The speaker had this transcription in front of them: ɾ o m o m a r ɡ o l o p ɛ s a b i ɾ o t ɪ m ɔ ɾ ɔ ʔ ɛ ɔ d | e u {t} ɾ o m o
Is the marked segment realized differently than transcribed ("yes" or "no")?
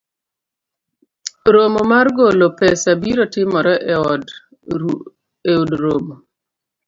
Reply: yes